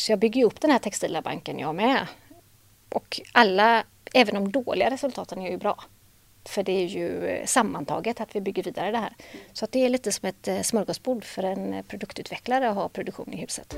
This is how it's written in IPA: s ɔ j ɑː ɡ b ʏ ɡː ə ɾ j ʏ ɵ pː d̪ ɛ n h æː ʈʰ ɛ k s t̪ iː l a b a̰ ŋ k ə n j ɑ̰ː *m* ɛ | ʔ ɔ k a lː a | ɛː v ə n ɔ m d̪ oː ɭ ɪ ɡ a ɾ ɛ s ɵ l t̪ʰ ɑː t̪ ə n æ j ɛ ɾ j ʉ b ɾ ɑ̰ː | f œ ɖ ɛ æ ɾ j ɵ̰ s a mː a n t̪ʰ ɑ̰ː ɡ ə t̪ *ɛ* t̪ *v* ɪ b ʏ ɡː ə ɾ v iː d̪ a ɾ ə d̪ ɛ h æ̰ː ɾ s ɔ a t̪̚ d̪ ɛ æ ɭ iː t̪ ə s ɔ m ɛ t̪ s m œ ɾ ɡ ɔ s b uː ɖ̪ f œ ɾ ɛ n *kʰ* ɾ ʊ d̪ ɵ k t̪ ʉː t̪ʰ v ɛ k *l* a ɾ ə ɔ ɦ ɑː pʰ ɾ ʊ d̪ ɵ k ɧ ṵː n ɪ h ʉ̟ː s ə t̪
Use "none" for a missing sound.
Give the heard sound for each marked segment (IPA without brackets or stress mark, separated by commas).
m, a, v, pʰ, l